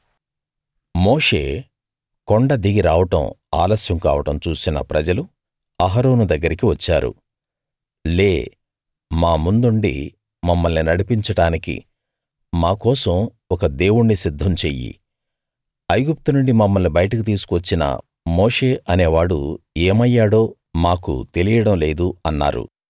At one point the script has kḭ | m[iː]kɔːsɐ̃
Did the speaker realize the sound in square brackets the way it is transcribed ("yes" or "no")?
no